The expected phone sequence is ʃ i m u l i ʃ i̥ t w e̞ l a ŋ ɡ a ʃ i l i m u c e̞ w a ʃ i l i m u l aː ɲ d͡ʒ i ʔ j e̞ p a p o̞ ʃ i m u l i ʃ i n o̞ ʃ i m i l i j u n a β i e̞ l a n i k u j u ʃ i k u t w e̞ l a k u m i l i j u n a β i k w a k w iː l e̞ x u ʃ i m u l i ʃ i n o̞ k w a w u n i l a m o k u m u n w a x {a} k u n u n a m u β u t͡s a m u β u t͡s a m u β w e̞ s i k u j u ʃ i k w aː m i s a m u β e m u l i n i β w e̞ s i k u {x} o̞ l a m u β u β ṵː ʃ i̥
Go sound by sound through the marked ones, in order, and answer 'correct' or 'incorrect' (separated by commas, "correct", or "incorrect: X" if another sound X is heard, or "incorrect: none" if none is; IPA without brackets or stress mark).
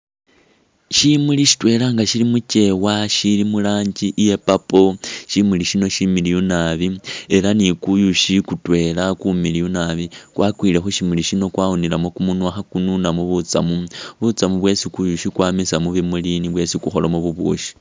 correct, correct